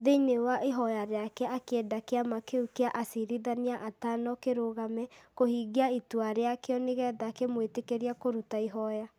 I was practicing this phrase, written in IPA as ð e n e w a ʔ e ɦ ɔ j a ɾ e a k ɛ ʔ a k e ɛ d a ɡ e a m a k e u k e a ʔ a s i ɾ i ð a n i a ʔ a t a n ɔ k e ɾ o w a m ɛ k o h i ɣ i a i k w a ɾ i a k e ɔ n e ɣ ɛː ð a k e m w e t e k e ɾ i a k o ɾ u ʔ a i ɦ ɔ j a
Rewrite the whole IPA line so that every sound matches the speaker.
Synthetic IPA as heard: ð e n e w a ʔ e ɦ ɔ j a ɾ e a k ɛ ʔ a k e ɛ d a k e a m a k e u k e a ʔ a s i ɾ i ð a n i a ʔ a t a n ɔ k e ɾ o ɣ a m ɛ k o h i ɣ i a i t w a ɾ e a k e ɔ n e ɣ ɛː ð a k e m w e t e k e ɾ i a k o ɾ u t a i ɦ ɔ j a